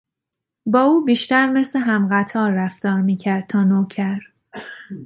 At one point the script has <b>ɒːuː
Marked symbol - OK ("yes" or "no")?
yes